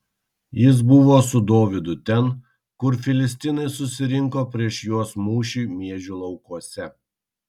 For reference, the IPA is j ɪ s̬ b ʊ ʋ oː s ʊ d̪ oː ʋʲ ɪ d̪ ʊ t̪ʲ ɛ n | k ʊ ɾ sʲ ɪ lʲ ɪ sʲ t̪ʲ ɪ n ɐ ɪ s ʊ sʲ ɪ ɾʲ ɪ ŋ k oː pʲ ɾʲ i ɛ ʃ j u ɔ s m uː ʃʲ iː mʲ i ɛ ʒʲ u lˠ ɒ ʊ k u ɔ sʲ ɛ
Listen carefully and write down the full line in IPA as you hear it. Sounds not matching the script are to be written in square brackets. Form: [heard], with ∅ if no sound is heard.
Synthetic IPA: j ɪ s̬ b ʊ ʋ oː s ʊ d̪ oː ʋʲ ɪ d̪ ʊ t̪ʲ ɛ n | k ʊ ɾ [fʲ] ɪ lʲ ɪ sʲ t̪ʲ ɪ n ɐ ɪ s ʊ sʲ ɪ ɾʲ ɪ ŋ k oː pʲ ɾʲ i ɛ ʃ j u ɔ s m uː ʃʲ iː mʲ i ɛ ʒʲ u lˠ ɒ ʊ k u ɔ sʲ ɛ

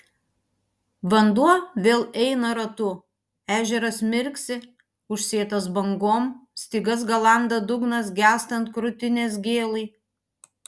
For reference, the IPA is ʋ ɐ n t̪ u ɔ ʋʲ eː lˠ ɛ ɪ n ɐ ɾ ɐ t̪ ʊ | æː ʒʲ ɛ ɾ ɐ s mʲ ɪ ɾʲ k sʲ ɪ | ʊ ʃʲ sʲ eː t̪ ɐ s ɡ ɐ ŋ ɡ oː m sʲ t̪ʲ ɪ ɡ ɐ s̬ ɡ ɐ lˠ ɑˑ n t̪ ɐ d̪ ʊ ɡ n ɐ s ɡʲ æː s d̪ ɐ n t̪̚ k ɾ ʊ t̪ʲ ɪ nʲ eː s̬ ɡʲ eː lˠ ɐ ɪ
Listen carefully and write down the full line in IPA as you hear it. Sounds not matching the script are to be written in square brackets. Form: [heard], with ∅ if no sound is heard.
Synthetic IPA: ʋ ɐ n [d̪] u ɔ ʋʲ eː lˠ ɛ ɪ n ɐ ɾ ɐ t̪ ʊ | æː ʒʲ ɛ ɾ ɐ s mʲ ɪ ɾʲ k sʲ ɪ | ʊ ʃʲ sʲ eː t̪ ɐ s [b] ɐ ŋ ɡ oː m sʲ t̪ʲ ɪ ɡ ɐ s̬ ɡ ɐ lˠ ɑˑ n [d̪] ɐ d̪ ʊ ɡ n ɐ s ɡʲ æː s [t̪] ɐ n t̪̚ k ɾ ʊ t̪ʲ ɪ nʲ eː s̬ ɡʲ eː lˠ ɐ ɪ

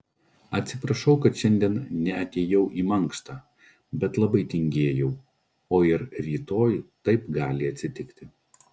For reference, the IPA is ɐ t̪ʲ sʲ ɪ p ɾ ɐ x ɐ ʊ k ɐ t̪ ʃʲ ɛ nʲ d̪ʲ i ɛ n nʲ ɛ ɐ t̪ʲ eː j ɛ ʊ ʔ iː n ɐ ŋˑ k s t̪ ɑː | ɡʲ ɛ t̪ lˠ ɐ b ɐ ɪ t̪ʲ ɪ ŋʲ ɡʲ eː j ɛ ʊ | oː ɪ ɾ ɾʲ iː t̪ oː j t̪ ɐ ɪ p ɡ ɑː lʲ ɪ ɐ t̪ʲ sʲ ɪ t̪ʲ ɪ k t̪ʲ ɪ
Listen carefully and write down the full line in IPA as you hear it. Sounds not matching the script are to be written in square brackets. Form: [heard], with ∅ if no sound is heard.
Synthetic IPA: ɐ t̪ʲ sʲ ɪ p ɾ ɐ [ʃ] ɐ ʊ k ɐ t̪ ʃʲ ɛ nʲ d̪ʲ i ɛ n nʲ ɛ ɐ t̪ʲ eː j ɛ ʊ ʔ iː [m] ɐ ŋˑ k s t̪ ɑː | [bʲ] ɛ t̪ lˠ ɐ b ɐ ɪ t̪ʲ ɪ ŋʲ ɡʲ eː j ɛ ʊ | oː ɪ ɾ ɾʲ iː t̪ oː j t̪ ɐ ɪ p ɡ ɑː lʲ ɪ ɐ t̪ʲ sʲ ɪ t̪ʲ ɪ k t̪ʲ ɪ

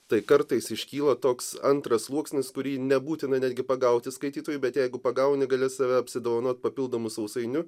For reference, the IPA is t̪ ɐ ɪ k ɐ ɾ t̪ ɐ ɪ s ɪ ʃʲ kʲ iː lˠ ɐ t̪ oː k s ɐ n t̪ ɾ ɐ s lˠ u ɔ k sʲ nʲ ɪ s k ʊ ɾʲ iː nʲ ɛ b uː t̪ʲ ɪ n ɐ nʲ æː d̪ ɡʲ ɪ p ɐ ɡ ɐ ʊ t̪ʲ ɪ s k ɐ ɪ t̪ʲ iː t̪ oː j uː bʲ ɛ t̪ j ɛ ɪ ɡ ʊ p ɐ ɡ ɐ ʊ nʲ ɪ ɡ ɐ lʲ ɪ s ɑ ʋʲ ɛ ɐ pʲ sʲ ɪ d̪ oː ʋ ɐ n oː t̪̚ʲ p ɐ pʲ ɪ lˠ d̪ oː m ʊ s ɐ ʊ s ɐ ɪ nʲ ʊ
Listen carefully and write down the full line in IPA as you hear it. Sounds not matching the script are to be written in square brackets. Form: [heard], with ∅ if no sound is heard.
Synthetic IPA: t̪ ɐ ɪ k ɐ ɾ t̪ ɐ ɪ s ɪ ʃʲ kʲ iː lˠ ɐ t̪ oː k s ɐ n t̪ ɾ ɐ s lˠ u ɔ k sʲ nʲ ɪ s k ʊ ɾʲ iː nʲ ɛ b uː t̪ʲ ɪ n ɐ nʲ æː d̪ ɡʲ ɪ p ɐ ɡ ɐ ʊ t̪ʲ ɪ s k ɐ ɪ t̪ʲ iː t̪ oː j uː bʲ ɛ t̪ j ɛ ɪ ɡ ʊ p ɐ ɡ ɐ ʊ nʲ ɪ ɡ ɐ lʲ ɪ s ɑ ʋʲ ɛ ɐ pʲ sʲ ɪ d̪ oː ʋ ɐ n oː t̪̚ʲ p ɐ pʲ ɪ lˠ d̪ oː m ʊ s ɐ ʊ s ɐ ɪ nʲ ʊ

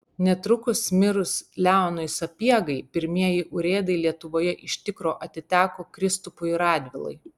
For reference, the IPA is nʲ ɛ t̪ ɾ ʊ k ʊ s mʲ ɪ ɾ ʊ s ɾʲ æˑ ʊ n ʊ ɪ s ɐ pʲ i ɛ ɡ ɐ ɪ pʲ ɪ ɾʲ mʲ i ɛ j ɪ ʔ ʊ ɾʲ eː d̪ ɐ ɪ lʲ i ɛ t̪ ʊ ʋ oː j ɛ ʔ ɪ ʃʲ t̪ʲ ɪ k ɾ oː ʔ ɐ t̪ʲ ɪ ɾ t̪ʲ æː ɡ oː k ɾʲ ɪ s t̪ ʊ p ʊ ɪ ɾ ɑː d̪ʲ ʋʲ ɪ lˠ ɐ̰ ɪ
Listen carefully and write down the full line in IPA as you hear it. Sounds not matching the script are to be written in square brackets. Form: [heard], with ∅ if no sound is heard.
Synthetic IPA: nʲ ɛ t̪ ɾ ʊ k ʊ s mʲ ɪ ɾ ʊ s [lʲ] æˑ ʊ n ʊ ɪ s ɐ pʲ i ɛ ɡ ɐ ɪ pʲ ɪ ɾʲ mʲ i ɛ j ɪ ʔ ʊ ɾʲ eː d̪ ɐ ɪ lʲ i ɛ t̪ ʊ ʋ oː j ɛ ʔ ɪ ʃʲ t̪ʲ ɪ k ɾ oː ʔ ɐ t̪ʲ ɪ [∅] t̪ʲ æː [k] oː k ɾʲ ɪ s t̪ ʊ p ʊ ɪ ɾ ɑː d̪ʲ ʋʲ ɪ lˠ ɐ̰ ɪ

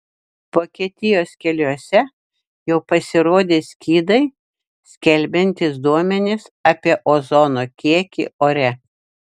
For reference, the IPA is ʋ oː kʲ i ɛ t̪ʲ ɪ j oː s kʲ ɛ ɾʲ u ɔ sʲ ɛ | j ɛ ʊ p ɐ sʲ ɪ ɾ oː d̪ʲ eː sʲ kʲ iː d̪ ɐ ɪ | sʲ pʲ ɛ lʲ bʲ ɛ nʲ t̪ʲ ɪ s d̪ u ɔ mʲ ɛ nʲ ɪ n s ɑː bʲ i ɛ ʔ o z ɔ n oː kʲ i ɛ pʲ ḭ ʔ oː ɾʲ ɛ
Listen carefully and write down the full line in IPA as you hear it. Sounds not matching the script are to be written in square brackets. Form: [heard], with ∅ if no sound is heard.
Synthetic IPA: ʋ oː kʲ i ɛ t̪ʲ ɪ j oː s kʲ ɛ [lʲ] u ɔ sʲ ɛ | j ɛ ʊ p ɐ sʲ ɪ ɾ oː d̪ʲ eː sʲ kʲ iː d̪ ɐ ɪ | sʲ [kʲ] ɛ lʲ bʲ ɛ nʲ t̪ʲ ɪ s d̪ u ɔ mʲ ɛ nʲ ɪ [∅] s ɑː [pʲ] i ɛ ʔ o z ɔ n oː kʲ i ɛ [kʲ] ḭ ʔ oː ɾʲ ɛ

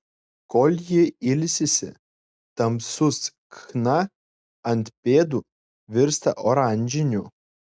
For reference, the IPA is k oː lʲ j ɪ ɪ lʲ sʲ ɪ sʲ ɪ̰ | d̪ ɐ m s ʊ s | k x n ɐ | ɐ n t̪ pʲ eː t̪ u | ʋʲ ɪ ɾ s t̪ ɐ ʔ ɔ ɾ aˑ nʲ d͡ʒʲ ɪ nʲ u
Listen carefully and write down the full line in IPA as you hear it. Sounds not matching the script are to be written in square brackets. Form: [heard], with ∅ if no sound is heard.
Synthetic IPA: k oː lʲ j ɪ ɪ lʲ sʲ ɪ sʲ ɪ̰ | [t̪] ɐ m s ʊ s | k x n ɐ | ɐ n t̪ pʲ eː [d̪] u | ʋʲ ɪ ɾ s t̪ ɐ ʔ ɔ ɾ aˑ nʲ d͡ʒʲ ɪ nʲ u

